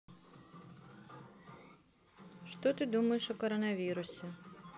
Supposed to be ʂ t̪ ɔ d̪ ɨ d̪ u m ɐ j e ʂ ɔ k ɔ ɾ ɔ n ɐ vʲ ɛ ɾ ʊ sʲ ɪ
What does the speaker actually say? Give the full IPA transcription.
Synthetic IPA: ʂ t̪ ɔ t̪ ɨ d̪ u m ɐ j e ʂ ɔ k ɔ ɾ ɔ n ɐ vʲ i ɾ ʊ sʲ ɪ

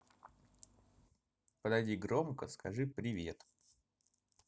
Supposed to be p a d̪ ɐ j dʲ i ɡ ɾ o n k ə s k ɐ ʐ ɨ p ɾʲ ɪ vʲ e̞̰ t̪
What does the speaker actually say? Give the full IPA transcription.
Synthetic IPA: p ə d̪ ɐ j dʲ i ɡ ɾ o m k ə s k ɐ ʐ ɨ p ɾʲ ɪ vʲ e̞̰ t̪

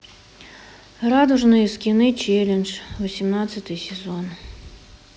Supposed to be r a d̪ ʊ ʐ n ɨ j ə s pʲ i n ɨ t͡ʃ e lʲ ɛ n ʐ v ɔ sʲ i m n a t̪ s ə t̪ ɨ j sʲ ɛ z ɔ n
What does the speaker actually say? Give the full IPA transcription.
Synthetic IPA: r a d̪ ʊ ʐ n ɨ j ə s kʲ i n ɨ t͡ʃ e lʲ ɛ n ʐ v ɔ sʲ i m n a t̪ s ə t̪ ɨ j sʲ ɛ z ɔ n

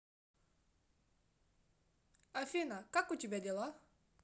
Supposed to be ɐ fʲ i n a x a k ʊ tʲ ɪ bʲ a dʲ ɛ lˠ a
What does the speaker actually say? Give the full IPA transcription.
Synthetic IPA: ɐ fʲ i n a k a k ʊ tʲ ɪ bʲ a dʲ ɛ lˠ a

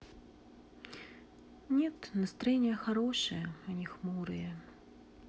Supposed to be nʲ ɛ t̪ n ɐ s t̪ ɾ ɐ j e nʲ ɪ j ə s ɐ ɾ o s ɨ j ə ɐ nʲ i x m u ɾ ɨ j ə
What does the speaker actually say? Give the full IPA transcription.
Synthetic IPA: nʲ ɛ t̪ n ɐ s t̪ ɾ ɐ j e nʲ ɪ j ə x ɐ ɾ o ʂ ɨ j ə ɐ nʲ i x m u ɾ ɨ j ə

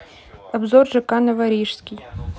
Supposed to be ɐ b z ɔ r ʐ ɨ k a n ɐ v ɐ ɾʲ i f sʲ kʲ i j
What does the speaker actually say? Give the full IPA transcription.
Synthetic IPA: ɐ b z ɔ r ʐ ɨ k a n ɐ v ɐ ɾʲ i ʂ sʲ kʲ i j

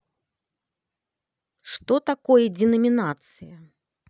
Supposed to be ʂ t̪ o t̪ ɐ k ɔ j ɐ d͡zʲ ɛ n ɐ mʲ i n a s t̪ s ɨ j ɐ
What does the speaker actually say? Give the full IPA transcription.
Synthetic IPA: ʂ t̪ ɔ t̪ a k ɔ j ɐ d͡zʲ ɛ n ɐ mʲ i n a t̪ s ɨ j ɐ

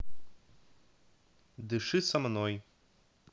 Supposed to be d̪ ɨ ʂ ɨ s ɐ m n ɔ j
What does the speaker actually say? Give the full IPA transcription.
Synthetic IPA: d̪ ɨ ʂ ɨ s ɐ m n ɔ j

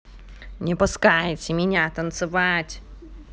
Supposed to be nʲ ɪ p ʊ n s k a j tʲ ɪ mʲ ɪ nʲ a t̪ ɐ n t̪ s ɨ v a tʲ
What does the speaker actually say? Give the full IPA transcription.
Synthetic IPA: nʲ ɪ p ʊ s k a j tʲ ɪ mʲ ɪ nʲ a t̪ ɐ n t̪ s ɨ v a tʲ

